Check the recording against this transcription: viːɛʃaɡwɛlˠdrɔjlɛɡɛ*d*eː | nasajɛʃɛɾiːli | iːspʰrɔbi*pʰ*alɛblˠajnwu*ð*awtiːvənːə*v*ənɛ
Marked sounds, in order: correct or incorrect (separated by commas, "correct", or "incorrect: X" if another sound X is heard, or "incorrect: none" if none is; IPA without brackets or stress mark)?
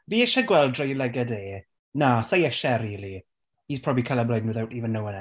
correct, incorrect: kʰ, correct, incorrect: w